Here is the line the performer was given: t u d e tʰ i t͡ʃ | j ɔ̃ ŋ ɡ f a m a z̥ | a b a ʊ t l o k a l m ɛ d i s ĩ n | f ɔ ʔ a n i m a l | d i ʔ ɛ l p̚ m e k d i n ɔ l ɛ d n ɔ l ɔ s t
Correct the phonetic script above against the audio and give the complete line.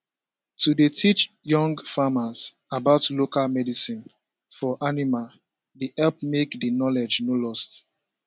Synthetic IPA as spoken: t u d e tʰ i t͡ʃ | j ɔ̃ ŋ ɡ f a m a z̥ | a b a ʊ t l o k a l m ɛ d i s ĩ n | f ɔ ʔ a n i m a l | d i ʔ ɛ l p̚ m e k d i n ɔ l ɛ d͡ʒ n o l ɔ s t